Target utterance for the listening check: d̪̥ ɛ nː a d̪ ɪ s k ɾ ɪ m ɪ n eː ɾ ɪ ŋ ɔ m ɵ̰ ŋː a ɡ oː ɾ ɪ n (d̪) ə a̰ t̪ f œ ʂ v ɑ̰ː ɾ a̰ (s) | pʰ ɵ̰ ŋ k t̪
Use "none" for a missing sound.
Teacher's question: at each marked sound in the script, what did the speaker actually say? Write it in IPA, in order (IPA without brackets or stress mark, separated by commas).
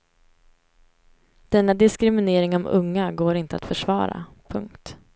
t̪, none